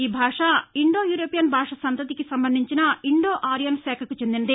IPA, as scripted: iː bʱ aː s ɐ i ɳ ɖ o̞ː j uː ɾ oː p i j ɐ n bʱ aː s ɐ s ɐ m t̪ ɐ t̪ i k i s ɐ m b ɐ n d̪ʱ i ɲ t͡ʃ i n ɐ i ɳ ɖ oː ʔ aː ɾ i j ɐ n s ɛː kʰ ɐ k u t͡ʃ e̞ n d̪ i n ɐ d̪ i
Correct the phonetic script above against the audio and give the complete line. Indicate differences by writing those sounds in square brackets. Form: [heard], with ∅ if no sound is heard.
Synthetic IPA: iː bʱ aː [ʂ] ɐ i ɳ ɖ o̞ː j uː ɾ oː p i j ɐ n bʱ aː [ʂ] ɐ s ɐ [n] t̪ ɐ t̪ i k i s ɐ m b ɐ n d̪ʱ i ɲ t͡ʃ i n ɐ i ɳ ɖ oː ʔ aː ɾ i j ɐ n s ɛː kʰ ɐ k u t͡ʃ e̞ n d̪ i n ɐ d̪ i